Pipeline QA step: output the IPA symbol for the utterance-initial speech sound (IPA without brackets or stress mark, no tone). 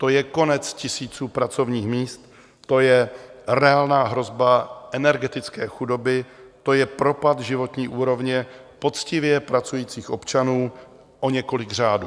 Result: t̪